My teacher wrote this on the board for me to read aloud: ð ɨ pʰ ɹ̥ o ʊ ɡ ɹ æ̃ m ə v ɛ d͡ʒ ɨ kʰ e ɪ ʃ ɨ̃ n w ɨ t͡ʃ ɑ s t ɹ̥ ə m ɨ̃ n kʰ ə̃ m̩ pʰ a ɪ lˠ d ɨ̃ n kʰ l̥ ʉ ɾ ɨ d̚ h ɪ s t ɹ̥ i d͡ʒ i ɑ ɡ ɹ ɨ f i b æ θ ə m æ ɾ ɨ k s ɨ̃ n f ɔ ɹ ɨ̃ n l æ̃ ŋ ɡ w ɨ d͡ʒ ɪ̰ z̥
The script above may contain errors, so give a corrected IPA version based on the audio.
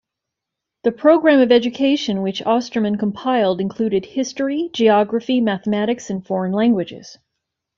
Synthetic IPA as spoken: ð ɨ pʰ ɹ̥ o ʊ ɡ ɹ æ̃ m ʌ v ɛ d͡ʒ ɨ kʰ e ɪ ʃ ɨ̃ n w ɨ t͡ʃ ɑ s t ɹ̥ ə m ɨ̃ n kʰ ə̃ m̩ pʰ a ɪ lˠ d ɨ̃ n kʰ l̥ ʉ ɾ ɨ d̚ h ɪ s t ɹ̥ i d͡ʒ i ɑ ɡ ɹ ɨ f i m æ θ ə m æ ɾ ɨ k s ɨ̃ n f ɔ ɹ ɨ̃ n l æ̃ ŋ ɡ w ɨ d͡ʒ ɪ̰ z̥